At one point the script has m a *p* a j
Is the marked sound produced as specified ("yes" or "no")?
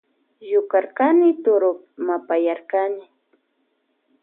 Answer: yes